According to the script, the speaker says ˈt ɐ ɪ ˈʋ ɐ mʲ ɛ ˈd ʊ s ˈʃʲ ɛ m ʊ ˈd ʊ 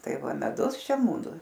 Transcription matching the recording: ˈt ɐ ɪ ˈʋ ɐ mʲ ɛ ˈd ʊ s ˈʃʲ ɛ m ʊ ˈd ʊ